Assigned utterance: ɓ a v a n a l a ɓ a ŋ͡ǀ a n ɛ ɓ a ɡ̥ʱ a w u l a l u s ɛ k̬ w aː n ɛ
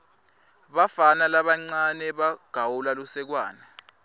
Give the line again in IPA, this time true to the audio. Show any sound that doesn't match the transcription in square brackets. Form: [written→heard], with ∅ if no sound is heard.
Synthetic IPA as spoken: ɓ a [v→f] a n a l a ɓ a ŋ͡ǀ a n ɛ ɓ a ɡ̥ʱ a w u l a l u s ɛ k̬ w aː n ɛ

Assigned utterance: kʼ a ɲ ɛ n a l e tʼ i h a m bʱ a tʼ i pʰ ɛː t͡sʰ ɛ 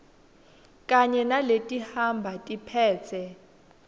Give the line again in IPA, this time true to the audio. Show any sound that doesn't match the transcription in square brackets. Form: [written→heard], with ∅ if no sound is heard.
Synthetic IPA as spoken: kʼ a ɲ ɛ n a l e tʼ i h a m bʱ a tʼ i pʰ ɛː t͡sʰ ɛ

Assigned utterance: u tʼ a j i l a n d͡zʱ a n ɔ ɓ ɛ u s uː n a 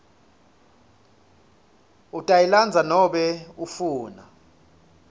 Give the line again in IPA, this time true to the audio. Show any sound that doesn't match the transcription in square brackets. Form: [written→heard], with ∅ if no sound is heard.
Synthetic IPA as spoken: u tʼ a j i l a n d͡zʱ a n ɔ ɓ ɛ u [s→f] uː n a

